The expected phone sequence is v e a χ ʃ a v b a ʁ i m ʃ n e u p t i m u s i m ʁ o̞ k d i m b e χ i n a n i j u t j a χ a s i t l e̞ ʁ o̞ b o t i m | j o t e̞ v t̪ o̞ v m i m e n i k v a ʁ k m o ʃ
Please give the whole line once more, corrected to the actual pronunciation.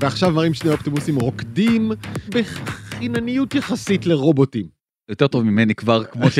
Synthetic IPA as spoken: v e a χ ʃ a v m a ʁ i m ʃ n e o p t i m u s i m ʁ o̞ k d i m b e χ i n a n i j u t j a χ a s i t l e̞ ʁ o̞ b o t i m | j o t e̞ ʁ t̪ o̞ v m i m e n i k v a ʁ k m o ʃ